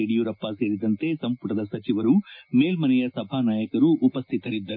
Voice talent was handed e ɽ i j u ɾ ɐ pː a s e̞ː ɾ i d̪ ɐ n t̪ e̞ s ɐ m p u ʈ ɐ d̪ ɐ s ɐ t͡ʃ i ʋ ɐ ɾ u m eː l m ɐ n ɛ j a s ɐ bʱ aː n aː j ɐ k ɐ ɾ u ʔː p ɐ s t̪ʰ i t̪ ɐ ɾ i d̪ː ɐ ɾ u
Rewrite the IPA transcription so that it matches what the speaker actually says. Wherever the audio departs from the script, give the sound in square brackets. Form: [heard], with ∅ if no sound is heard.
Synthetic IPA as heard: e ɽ i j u ɾ ɐ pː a s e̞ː ɾ i d̪ ɐ n t̪ e̞ s ɐ m p u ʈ ɐ d̪ ɐ s ɐ t͡ʃ i ʋ ɐ ɾ u m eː l m ɐ n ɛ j [ɐ] s ɐ bʱ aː n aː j ɐ k ɐ ɾ u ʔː p ɐ s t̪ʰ i t̪ ɐ ɾ i d̪ː ɐ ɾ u